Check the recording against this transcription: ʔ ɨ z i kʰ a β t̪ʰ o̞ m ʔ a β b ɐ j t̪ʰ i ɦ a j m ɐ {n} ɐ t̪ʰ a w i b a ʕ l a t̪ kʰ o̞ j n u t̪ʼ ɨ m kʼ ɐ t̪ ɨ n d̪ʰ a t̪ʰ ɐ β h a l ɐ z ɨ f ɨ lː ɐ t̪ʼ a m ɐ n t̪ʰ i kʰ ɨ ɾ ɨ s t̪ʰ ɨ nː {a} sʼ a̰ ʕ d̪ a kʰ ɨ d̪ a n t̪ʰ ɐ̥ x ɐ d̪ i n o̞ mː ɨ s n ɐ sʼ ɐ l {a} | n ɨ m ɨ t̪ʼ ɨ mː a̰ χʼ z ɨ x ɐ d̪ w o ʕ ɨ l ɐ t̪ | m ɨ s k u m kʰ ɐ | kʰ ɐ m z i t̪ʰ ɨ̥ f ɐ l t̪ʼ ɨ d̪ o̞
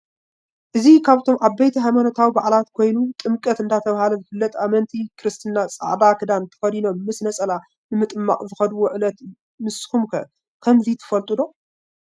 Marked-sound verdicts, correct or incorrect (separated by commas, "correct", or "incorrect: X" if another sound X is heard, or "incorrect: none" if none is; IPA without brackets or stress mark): correct, correct, correct